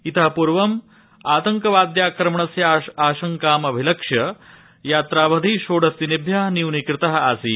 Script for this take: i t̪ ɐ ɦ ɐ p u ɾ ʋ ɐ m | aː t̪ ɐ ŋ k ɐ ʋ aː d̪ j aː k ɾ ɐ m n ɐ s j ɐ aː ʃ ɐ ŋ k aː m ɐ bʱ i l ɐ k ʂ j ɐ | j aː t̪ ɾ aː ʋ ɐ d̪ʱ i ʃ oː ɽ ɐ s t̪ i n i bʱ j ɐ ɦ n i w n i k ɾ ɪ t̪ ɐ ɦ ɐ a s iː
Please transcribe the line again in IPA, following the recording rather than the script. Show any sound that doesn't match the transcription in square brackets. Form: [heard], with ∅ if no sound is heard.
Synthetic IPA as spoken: i t̪ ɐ ɦ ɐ p u ɾ ʋ ɐ m | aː t̪ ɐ ŋ k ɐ ʋ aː d̪ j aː k ɾ ɐ m [ɳ] ɐ s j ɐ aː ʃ ɐ ŋ k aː m ɐ bʱ i l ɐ k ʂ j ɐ | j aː t̪ ɾ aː ʋ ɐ d̪ʱ i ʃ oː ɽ ɐ s t̪ i n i bʱ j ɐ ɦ n i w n i k ɾ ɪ t̪ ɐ ɦ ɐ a s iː